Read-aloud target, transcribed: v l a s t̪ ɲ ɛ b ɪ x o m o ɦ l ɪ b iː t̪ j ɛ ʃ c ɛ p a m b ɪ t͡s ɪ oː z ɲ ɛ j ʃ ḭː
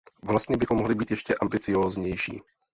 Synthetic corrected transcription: v l a s t̪ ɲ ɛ b ɪ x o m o ɦ l ɪ b iː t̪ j ɛ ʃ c ɛ ʔ a m b ɪ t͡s ɪ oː z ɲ ɛ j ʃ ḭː